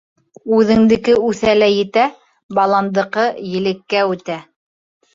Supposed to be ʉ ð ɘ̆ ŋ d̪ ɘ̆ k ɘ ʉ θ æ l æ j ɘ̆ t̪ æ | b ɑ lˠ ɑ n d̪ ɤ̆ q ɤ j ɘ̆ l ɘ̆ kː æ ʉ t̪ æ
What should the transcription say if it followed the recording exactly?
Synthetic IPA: ʉ ð ɘ̆ ŋ d̪ ɘ̆ k ɘ ʉ θ æ l æ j ɘ̆ t̪ æ | b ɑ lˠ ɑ n d̪ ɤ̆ q ɤ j ɘ̆ l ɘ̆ kː æ ʉ t̪ æ